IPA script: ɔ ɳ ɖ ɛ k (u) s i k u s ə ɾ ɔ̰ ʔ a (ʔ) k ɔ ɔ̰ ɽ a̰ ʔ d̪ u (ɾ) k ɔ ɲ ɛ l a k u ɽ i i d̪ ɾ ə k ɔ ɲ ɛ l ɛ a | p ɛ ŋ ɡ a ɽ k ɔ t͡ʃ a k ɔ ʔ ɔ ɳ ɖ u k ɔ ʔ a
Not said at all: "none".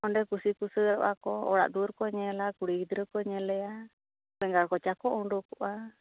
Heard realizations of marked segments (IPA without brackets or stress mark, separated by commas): u, none, ɾ